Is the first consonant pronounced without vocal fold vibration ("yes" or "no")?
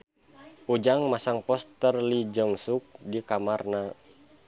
no